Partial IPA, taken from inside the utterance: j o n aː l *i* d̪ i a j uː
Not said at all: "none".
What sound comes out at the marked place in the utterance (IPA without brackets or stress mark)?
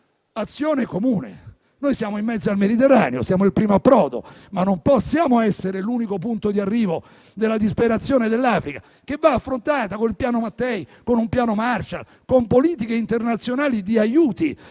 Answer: i